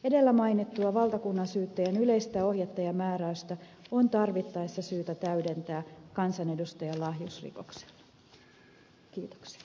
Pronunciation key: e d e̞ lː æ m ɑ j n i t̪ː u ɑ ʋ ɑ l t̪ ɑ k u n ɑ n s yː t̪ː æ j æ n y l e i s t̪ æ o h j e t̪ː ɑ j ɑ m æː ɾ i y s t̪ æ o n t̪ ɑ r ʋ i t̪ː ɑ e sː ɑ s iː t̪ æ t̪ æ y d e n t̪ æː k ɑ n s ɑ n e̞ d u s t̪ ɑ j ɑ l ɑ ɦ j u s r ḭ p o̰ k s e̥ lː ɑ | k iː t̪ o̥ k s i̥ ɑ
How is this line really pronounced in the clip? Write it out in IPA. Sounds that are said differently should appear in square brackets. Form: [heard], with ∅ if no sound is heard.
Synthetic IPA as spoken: e d e̞ lː æ m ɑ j n i t̪ː u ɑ ʋ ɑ l t̪ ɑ k u [nː] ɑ n s yː t̪ː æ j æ n y l e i s t̪ æ o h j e t̪ː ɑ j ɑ m æː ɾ [æ] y s t̪ æ o n t̪ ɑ r ʋ i t̪ː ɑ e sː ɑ s [yː] t̪ æ t̪ æ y d e n t̪ æː k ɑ n s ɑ n e̞ d u s t̪ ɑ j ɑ l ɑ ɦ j u s r ḭ [k] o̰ k s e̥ lː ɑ | k iː t̪ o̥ k s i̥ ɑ